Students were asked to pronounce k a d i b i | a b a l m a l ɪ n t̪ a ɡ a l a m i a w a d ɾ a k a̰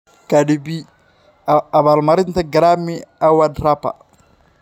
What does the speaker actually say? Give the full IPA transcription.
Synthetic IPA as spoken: k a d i b i | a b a l m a ɾ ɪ n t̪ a ɡ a ɾ a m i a w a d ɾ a p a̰